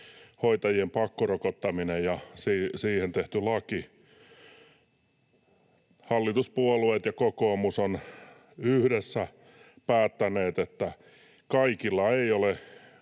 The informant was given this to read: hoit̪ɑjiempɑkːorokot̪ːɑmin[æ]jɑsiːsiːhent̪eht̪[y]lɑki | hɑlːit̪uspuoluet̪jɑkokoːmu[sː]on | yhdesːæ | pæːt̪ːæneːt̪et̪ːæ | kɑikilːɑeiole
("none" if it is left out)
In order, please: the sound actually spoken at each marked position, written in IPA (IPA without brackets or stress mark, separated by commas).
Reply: e, y, s